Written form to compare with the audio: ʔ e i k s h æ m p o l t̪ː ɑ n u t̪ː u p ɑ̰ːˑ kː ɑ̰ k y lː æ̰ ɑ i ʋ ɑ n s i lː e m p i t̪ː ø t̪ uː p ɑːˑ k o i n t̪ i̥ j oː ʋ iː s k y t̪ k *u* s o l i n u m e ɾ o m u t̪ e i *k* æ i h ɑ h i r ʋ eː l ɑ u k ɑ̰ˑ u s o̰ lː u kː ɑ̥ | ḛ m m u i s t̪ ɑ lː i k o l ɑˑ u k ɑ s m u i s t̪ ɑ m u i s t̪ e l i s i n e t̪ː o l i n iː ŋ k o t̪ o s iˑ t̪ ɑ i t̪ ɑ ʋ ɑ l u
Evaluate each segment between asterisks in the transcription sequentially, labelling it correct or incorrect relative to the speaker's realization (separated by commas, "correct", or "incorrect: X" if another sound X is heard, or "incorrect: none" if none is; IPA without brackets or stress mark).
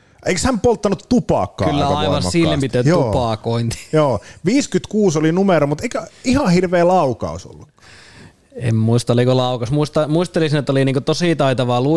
incorrect: uː, correct